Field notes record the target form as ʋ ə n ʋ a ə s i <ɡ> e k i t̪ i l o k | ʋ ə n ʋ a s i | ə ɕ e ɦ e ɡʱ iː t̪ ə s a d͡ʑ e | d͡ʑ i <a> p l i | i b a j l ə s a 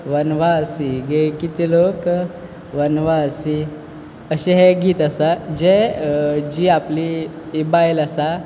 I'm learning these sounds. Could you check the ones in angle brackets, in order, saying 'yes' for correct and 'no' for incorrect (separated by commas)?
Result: yes, yes